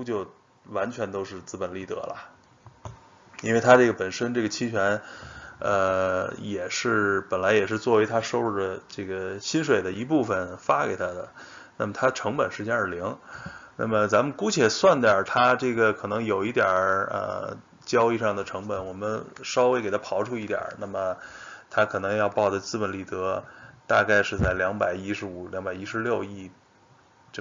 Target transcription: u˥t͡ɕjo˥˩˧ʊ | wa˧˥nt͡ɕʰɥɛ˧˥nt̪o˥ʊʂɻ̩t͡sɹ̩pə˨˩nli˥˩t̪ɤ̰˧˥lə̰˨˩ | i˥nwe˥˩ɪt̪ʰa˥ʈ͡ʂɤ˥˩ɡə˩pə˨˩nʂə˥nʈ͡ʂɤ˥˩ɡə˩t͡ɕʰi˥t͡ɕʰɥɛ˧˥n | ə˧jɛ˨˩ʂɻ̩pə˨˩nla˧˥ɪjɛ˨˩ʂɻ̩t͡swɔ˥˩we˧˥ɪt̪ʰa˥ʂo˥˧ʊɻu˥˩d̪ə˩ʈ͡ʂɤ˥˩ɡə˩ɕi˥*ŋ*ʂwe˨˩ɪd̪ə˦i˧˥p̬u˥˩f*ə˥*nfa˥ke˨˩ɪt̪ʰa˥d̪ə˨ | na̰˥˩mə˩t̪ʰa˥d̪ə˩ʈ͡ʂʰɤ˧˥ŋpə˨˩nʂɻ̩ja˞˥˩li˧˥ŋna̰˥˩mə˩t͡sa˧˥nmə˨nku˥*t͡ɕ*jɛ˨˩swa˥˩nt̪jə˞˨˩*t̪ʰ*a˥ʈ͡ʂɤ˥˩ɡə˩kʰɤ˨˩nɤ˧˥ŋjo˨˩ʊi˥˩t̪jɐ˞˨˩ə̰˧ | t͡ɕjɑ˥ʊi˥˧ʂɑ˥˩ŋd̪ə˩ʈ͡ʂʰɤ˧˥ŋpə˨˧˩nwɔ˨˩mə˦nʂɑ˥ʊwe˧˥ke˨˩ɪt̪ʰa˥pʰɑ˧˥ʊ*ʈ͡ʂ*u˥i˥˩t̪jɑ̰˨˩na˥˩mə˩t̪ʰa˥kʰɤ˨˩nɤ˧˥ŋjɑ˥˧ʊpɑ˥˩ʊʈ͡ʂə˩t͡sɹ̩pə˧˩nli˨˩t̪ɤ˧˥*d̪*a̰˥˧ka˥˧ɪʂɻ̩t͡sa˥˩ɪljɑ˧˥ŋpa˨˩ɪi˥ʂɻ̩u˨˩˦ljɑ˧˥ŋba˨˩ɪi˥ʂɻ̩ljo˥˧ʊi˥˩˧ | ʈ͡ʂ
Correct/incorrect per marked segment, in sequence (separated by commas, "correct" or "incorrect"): incorrect, incorrect, incorrect, correct, incorrect, incorrect